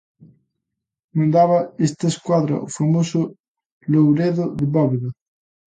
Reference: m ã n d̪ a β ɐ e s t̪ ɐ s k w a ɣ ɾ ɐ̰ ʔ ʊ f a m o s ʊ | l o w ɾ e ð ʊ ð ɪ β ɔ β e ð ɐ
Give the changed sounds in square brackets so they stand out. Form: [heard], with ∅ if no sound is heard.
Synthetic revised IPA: m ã n d̪ a β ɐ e s t̪ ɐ s k w a [ð] ɾ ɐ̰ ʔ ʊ f a m o s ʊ | l o w ɾ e ð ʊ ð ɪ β ɔ β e ð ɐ